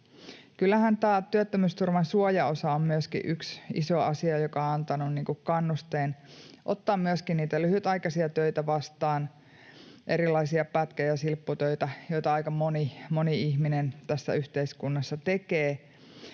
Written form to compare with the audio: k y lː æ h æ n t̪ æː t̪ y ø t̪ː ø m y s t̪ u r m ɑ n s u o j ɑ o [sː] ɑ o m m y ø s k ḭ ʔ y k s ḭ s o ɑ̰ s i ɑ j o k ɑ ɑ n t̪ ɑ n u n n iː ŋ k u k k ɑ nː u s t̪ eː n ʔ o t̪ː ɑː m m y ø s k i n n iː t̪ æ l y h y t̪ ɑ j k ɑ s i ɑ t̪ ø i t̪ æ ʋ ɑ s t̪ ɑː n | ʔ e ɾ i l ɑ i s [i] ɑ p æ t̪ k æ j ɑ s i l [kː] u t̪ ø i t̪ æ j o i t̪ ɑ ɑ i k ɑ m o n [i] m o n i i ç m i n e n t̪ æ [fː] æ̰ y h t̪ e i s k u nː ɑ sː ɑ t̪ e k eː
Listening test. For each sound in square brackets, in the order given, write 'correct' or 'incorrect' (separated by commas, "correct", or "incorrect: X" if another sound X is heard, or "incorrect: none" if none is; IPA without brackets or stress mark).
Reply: incorrect: s, correct, incorrect: pː, correct, incorrect: sː